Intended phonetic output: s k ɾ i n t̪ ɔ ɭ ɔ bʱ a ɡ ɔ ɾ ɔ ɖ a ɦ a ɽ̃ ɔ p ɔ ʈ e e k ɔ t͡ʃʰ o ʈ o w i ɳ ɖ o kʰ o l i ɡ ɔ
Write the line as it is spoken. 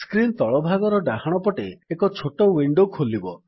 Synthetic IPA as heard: s k ɾ i n t̪ ɔ ɭ ɔ bʱ a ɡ ɔ ɾ ɔ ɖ a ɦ a ɽ̃ ɔ p ɔ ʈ e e k ɔ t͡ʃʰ o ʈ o w i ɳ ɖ o kʰ o l i b ɔ

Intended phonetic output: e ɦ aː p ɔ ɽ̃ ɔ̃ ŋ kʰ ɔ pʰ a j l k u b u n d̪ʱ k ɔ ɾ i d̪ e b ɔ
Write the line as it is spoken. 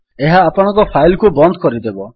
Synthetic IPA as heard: e ɦ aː p ɔ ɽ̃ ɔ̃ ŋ k ɔ pʰ a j l k u b ɔ n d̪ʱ k ɔ ɾ i d̪ e b ɔ

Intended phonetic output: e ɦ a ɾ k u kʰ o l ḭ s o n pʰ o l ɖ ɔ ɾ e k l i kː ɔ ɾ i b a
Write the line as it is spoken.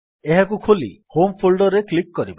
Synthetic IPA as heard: e ɦ a k u kʰ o l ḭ h o m pʰ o l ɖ ɔ ɾ e k l i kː ɔ ɾ i b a

